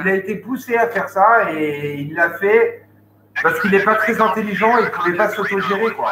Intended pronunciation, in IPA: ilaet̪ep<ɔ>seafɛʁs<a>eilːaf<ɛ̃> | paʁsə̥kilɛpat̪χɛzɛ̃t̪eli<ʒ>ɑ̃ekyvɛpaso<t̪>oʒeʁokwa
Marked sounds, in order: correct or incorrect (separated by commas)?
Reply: incorrect, correct, incorrect, correct, correct